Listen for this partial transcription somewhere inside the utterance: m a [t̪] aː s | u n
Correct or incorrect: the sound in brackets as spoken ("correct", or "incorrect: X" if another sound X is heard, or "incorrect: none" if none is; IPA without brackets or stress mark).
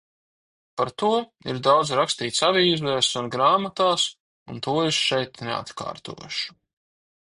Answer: correct